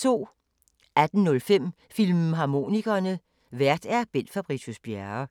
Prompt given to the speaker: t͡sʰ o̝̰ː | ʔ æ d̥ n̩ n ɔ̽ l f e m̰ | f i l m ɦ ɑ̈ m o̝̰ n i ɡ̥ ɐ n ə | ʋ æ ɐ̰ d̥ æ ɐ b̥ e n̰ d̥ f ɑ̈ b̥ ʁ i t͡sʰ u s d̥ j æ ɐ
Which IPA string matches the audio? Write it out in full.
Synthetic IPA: t͡sʰ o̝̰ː | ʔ æ d̥ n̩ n ɔ̽ l f e m̰ | f i l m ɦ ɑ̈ m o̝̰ n i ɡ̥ ɐ n ə | ʋ æ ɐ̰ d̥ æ ɐ b̥ e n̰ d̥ f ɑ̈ b̥ ʁ i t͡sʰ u s b̥ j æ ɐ

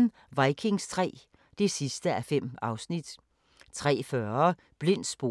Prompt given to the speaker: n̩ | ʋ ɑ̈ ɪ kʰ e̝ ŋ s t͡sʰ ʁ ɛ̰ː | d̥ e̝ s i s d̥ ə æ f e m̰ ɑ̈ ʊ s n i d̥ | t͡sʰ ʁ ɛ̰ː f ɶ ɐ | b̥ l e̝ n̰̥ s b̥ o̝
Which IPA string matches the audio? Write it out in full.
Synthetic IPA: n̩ | ʋ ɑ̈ ɪ kʰ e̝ ŋ s t͡sʰ ʁ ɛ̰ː | d̥ e̝ s i s d̥ ə æ f e m̰ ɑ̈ ʊ s n i d̥ | t͡sʰ ʁ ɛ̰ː f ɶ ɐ | b̥ l e̝ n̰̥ s b̥ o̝

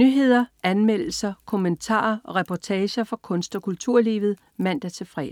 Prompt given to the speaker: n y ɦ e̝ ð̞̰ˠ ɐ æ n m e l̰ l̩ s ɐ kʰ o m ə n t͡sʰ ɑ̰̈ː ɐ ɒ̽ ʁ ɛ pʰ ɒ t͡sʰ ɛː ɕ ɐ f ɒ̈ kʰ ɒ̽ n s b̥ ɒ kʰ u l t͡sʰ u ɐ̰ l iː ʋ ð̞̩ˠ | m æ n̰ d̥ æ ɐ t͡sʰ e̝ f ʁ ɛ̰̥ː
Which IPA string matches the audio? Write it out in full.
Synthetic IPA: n y ɦ e̝ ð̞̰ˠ ɐ æ n m e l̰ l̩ s ɐ kʰ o m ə n t͡sʰ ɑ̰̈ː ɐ ɒ̽ ʁ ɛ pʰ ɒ t͡sʰ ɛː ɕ ɐ f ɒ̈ kʰ ɔ̽ n s d̥ ɒ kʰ u l t͡sʰ u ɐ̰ l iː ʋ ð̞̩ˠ | m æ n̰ d̥ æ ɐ t͡sʰ e̝ f ʁ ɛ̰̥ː

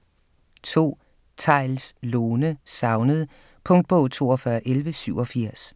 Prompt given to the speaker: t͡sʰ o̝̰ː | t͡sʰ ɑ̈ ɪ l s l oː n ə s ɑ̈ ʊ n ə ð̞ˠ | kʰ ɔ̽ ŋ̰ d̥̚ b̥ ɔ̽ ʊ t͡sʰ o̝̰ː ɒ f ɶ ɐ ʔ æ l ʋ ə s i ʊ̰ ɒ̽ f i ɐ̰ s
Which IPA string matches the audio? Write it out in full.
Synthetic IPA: t͡sʰ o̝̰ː | t͡sʰ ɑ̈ ɪ l s l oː n ə s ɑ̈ ʊ n ə ð̞ˠ | pʰ ɔ̽ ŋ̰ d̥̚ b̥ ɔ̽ ʊ t͡sʰ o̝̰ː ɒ f ɶ ɐ ʔ e l ʋ ə s y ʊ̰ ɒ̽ f i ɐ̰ s

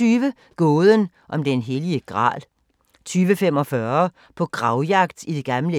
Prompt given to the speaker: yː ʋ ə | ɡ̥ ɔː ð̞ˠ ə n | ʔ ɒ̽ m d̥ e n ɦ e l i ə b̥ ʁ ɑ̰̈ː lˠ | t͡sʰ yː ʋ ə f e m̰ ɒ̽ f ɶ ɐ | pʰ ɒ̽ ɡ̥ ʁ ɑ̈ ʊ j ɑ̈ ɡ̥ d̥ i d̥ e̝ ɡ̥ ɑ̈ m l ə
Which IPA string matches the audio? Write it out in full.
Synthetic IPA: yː ʋ ə | ɡ̥ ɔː ð̞ˠ ə n | ʔ ɒ̽ m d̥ e n ɦ e l i ə ɡ̥ ʁ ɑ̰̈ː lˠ | t͡sʰ yː ʋ ə f e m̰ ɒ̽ f ɶ ɐ | pʰ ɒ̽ ɡ̥ ʁ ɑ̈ ʊ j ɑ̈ ɡ̥ d̥ i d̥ e̝ ɡ̥ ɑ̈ m l ə

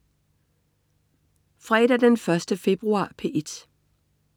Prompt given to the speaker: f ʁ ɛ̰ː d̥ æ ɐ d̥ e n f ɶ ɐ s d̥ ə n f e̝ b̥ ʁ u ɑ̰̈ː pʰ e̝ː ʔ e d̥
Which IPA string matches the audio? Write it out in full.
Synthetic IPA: f ʁ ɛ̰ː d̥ æ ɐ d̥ e n f ɶ ɐ s d̥ ə f e̝ b̥ ʁ u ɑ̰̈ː pʰ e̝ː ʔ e d̥

